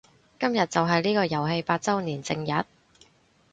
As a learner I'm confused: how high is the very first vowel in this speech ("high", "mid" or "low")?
low